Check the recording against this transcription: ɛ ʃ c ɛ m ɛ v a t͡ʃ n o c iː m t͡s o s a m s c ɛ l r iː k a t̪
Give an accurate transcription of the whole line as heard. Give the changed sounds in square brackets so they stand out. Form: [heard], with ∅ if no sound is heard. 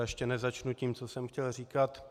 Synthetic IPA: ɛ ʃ c ɛ [n] ɛ [z] a t͡ʃ n [u] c iː m t͡s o s [ɛ] m [x] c ɛ l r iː k a t̪